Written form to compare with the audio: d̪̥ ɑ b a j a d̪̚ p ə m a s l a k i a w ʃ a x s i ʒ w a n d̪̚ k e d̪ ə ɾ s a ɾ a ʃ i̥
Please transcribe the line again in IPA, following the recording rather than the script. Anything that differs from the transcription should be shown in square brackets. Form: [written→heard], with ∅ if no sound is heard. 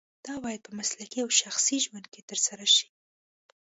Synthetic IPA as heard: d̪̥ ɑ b [a→ɑ] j a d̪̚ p ə m a s l a k i a w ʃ a x s i ʒ w a n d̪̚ k e [d̪→t̪] ə ɾ s a ɾ a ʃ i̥